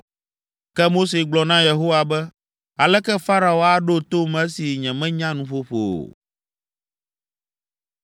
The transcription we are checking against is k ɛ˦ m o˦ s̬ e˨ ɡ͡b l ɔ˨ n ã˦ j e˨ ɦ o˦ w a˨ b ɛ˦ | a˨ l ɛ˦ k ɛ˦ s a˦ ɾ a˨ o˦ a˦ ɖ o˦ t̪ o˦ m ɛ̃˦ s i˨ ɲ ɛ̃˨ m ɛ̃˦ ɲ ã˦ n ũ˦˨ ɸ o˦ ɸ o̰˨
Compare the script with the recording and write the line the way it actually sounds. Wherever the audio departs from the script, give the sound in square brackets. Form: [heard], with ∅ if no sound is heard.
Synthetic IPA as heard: k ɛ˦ m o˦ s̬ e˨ ɡ͡b l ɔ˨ n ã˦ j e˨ ɦ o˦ w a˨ b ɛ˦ | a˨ l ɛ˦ k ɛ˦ [f] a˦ ɾ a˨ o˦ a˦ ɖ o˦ t̪ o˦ m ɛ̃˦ s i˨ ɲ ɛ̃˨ m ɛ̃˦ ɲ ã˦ n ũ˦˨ ɸ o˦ ɸ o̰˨